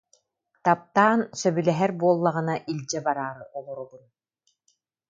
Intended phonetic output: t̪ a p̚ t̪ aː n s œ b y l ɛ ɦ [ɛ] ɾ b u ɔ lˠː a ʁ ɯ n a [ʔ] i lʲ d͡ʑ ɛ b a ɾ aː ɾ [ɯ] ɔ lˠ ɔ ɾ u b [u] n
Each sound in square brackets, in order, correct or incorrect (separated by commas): correct, correct, correct, correct